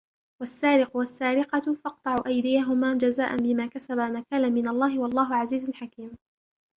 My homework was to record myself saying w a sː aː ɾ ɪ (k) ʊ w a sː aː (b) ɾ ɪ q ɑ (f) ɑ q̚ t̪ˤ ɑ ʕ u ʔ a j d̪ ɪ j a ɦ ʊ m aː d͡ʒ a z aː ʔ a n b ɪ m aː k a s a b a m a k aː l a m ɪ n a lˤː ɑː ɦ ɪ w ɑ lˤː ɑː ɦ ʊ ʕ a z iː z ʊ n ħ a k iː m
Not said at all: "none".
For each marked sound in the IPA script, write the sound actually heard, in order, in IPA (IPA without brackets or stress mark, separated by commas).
q, none, f